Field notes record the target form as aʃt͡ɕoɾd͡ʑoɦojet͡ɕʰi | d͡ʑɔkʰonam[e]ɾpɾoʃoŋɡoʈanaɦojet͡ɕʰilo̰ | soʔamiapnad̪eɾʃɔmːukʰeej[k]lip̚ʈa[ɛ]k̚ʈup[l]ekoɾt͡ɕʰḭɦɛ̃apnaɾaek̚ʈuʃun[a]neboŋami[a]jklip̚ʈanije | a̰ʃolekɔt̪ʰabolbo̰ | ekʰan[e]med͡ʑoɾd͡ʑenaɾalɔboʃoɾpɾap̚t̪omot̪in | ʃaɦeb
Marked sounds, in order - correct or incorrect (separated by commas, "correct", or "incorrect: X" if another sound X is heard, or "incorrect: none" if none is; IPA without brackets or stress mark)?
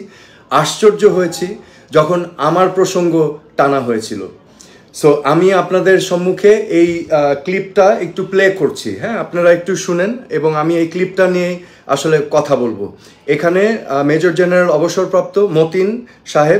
incorrect: a, correct, incorrect: e, correct, incorrect: e, incorrect: e, correct